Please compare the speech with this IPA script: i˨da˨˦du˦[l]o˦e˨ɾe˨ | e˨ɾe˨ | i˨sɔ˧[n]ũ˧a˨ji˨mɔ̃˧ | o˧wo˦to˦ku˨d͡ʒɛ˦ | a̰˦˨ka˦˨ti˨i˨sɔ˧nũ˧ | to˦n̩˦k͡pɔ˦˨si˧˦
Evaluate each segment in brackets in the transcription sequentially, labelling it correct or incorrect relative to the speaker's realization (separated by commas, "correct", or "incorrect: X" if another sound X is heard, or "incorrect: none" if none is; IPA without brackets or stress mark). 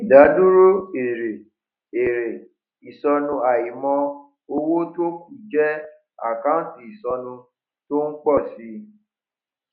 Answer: incorrect: ɾ, correct